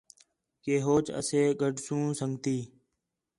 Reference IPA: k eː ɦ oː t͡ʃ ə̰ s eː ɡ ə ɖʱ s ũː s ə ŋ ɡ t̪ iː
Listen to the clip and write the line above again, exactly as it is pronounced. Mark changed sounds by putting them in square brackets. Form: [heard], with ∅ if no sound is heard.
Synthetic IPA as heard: k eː ɦ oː t͡ʃ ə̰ s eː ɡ ə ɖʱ s ũː s ə ŋ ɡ t̪ iː